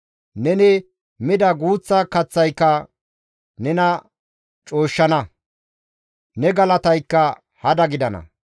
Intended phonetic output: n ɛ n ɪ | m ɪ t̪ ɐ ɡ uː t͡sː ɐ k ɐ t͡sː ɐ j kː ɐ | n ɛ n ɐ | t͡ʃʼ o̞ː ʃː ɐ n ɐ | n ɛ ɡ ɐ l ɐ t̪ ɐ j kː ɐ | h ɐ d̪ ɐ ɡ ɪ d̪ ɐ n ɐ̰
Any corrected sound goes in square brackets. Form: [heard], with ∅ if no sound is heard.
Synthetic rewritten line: n ɛ n ɪ | m ɪ [d̪] ɐ ɡ uː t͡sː ɐ k ɐ t͡sː ɐ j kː ɐ | n ɛ n ɐ | t͡ʃʼ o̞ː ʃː ɐ n ɐ | n ɛ ɡ ɐ l ɐ t̪ ɐ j kː ɐ | h ɐ d̪ ɐ ɡ ɪ d̪ ɐ n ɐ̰